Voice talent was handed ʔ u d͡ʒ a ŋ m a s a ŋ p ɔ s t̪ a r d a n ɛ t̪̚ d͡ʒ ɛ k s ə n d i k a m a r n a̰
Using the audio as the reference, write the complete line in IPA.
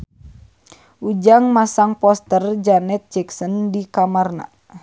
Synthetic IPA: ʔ u d͡ʒ a ŋ m a s a ŋ p ɔ s t̪ ə r d͡ʒ a n ɛ t̪̚ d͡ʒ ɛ k s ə n d i k a m a r n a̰